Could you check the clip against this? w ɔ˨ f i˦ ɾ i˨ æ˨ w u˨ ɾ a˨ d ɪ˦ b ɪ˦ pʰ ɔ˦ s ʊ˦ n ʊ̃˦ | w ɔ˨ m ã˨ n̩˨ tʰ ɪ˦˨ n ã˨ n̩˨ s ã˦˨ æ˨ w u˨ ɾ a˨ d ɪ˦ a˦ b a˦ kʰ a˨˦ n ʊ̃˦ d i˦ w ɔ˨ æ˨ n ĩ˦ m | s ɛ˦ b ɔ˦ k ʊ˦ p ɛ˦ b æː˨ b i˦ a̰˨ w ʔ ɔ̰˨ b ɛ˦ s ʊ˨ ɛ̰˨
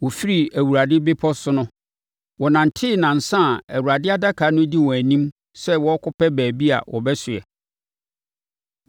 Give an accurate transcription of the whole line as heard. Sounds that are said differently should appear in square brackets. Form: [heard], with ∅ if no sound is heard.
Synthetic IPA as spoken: w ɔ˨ f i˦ ɾ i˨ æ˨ w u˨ ɾ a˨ d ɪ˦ b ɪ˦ pʰ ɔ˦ s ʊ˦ n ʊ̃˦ | w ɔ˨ [n] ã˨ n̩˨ tʰ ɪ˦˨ n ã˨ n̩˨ s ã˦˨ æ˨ w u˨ ɾ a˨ d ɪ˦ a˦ [d] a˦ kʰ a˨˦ n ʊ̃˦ d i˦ w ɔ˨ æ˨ n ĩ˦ m | s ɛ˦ [w] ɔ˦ k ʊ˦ p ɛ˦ b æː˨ b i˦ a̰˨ w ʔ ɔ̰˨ b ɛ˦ s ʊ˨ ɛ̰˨

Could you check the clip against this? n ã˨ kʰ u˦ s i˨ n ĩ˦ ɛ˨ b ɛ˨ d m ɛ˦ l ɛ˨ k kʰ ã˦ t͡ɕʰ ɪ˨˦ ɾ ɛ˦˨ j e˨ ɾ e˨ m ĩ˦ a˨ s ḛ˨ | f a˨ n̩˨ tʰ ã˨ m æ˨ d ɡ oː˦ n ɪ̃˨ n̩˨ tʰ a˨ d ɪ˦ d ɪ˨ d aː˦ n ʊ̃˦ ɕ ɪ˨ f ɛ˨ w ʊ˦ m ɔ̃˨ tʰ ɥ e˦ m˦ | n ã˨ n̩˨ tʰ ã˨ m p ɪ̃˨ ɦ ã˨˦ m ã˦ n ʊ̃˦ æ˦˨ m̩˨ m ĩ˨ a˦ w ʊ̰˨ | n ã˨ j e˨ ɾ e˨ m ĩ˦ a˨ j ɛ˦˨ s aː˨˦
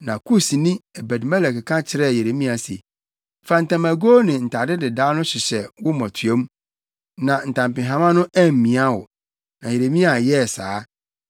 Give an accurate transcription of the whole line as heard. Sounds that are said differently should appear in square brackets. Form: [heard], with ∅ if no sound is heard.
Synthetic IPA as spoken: n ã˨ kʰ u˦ s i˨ n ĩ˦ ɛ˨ b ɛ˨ d m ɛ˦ l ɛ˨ k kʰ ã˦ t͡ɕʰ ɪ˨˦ ɾ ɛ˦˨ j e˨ ɾ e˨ m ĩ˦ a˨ s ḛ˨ | f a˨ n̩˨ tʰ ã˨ m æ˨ [∅] ɡ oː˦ n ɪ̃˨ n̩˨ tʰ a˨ d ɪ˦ d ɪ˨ d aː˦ n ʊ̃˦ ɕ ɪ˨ [ɕ] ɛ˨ w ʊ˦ m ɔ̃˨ tʰ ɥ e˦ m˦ | n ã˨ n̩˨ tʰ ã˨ m p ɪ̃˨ ɦ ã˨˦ m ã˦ n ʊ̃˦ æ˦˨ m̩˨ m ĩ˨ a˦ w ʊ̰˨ | n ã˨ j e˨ ɾ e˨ m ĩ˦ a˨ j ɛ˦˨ s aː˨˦

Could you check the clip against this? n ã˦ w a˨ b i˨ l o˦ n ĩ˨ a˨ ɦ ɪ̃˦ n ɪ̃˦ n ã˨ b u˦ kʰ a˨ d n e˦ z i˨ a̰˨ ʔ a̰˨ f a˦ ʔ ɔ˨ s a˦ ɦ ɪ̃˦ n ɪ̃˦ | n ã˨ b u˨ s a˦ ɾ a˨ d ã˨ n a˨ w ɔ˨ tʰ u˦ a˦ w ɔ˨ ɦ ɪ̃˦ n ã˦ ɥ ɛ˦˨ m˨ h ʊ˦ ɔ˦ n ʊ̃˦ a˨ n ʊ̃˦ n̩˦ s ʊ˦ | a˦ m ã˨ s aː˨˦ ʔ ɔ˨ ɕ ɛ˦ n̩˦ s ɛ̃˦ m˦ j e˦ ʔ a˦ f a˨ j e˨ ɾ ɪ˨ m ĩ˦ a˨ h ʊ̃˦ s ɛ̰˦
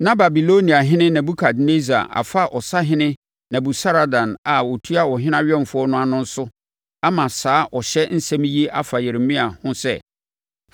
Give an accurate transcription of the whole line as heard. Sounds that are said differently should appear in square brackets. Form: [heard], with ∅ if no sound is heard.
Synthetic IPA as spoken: n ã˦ [b] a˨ b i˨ l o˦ n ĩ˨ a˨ ɦ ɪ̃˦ n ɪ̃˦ n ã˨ b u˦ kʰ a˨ d n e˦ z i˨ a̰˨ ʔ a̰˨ f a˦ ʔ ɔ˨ s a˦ ɦ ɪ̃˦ n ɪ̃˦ | n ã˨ b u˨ s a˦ ɾ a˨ d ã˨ n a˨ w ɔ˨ tʰ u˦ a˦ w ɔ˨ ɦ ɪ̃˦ n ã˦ ɥ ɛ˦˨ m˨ [f] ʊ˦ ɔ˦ n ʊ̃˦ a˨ n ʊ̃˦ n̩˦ s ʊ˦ | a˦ m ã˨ s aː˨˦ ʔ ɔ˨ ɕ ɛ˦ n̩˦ s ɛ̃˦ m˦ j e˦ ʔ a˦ f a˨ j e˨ ɾ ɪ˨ m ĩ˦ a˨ h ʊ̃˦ s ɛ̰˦

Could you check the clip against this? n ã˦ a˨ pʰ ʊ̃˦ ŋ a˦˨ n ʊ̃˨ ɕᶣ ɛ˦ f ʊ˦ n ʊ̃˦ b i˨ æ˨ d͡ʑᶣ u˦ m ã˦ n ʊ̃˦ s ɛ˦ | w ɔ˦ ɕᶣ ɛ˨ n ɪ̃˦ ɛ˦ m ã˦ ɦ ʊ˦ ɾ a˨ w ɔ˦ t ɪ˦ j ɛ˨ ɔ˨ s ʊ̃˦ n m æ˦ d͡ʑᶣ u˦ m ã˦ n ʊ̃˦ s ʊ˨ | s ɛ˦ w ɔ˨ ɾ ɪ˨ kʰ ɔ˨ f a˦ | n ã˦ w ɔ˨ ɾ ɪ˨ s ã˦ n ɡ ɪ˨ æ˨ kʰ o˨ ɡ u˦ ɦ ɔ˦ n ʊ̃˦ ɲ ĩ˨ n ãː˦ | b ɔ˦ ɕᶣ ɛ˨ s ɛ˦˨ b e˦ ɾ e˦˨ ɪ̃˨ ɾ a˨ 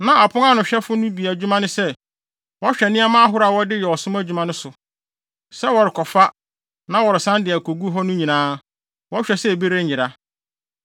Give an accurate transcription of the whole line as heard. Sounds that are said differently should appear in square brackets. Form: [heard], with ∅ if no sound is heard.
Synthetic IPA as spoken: n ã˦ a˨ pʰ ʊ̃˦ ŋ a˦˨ n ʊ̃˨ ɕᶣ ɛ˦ f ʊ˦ n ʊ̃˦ b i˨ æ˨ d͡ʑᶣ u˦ m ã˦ n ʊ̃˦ s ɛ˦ | w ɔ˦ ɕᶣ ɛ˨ n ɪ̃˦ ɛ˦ m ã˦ ɦ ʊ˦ ɾ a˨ w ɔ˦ [d] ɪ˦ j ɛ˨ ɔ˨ s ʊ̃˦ [∅] m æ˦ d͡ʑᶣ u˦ m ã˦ n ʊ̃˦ s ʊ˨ | s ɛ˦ w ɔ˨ ɾ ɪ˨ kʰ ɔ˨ f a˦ | n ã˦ w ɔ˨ ɾ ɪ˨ s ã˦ n [d] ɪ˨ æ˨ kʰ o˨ ɡ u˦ ɦ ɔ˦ n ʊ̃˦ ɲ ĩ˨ n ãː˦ | [w] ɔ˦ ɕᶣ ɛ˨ s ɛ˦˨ b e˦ ɾ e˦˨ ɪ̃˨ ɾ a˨

